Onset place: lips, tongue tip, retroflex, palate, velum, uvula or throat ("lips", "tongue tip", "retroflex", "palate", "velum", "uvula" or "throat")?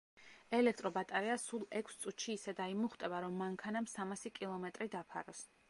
tongue tip